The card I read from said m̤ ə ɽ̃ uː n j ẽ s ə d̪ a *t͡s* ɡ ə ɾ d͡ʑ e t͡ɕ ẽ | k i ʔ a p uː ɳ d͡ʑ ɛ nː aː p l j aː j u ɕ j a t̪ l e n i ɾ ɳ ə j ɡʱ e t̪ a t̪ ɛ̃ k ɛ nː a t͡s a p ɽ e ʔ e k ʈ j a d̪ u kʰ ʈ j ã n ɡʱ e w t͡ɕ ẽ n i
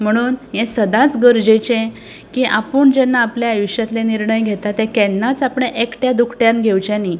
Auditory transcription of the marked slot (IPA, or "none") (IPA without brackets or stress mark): t͡s